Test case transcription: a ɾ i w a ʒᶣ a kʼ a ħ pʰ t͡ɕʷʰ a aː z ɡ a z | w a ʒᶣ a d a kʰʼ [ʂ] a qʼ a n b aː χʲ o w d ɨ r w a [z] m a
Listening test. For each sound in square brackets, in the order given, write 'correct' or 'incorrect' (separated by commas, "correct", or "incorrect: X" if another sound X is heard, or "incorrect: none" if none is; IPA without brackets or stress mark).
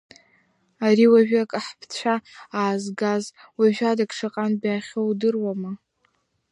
correct, incorrect: none